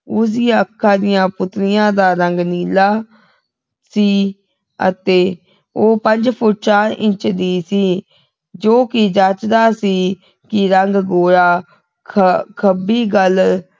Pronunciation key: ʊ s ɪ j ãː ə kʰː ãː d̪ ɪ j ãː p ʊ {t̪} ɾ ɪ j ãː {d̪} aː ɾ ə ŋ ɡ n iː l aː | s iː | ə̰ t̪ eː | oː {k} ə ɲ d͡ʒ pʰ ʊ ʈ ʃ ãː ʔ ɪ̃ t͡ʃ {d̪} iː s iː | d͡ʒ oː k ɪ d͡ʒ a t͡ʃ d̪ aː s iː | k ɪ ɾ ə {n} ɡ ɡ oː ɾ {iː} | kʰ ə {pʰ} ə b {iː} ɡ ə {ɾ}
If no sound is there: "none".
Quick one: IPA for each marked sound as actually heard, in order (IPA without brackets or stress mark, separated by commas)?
t̪, d̪, p, d̪, ŋ, aː, kʰ, iː, l